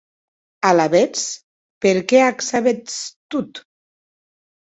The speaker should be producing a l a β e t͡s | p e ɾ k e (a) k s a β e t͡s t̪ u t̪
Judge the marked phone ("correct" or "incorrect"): correct